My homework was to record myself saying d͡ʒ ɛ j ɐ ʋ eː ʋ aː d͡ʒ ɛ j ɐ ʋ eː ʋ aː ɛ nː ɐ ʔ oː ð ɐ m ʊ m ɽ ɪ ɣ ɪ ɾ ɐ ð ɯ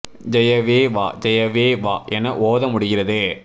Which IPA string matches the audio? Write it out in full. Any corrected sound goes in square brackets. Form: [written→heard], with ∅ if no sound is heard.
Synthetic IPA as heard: d͡ʒ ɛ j ɐ ʋ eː ʋ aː d͡ʒ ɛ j ɐ ʋ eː ʋ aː ɛ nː ɐ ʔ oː ð ɐ m ʊ [m→∅] ɽ ɪ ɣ ɪ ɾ ɐ ð ɯ